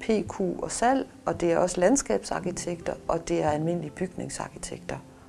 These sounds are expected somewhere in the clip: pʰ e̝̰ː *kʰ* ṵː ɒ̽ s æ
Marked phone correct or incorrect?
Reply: correct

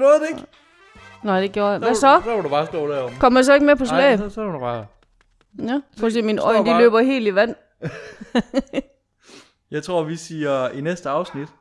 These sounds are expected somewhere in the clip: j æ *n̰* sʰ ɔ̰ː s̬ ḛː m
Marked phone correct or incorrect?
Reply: incorrect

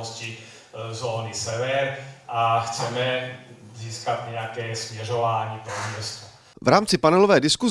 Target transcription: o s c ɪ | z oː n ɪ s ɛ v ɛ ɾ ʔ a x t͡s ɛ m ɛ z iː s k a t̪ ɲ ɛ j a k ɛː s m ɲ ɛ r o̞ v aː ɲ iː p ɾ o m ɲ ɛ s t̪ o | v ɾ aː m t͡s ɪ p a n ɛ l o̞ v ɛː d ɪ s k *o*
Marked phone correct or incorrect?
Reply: incorrect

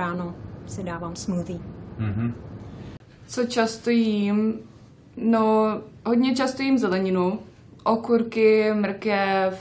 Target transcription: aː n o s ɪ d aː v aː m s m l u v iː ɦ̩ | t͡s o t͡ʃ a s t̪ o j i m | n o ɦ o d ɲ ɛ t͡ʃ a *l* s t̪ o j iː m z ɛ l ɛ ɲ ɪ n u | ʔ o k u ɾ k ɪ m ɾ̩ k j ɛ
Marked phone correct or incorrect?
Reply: incorrect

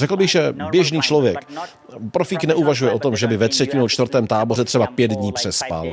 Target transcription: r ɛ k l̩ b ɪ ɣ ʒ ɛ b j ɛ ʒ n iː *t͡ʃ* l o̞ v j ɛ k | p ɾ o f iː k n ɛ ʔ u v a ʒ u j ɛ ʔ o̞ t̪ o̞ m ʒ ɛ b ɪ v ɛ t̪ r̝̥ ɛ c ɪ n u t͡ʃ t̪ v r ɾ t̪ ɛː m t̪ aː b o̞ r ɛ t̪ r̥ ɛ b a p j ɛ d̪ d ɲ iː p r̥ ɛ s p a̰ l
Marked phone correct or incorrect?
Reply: correct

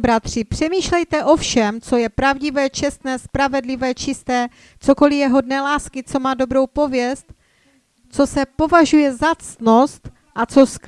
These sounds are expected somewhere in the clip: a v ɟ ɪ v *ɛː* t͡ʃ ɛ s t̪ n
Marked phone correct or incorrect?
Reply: correct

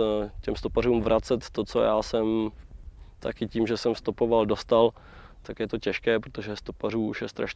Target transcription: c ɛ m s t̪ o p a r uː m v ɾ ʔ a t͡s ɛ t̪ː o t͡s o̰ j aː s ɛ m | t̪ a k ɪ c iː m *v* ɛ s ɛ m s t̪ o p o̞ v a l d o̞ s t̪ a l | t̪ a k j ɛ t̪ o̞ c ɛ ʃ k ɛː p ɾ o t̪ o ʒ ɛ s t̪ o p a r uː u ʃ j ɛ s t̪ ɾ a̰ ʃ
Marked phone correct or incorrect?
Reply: incorrect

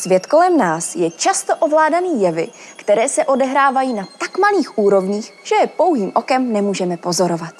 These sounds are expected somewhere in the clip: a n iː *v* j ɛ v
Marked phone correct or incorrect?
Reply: incorrect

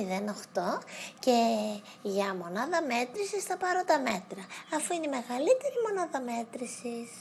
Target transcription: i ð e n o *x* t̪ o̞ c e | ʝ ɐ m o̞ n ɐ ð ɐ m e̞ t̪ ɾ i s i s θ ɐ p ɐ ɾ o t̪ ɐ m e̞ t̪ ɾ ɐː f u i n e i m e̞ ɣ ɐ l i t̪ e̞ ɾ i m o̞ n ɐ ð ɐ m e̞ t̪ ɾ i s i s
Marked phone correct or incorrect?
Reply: correct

